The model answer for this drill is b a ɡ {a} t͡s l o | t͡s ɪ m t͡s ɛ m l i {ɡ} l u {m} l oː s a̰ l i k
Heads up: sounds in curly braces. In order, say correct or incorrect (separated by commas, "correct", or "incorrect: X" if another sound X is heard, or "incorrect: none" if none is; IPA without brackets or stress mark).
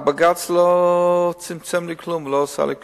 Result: correct, incorrect: k, correct